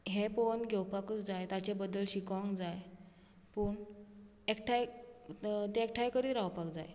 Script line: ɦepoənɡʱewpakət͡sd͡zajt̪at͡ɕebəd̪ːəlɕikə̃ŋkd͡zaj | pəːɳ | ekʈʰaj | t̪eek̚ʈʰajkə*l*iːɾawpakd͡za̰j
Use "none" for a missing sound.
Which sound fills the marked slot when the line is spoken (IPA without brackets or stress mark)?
ɾ